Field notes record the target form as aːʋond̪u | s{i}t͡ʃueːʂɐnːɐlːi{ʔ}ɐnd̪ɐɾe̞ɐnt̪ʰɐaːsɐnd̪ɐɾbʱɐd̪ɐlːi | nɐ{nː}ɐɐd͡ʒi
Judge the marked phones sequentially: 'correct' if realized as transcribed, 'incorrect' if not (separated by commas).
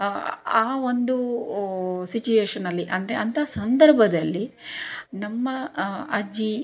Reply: correct, correct, incorrect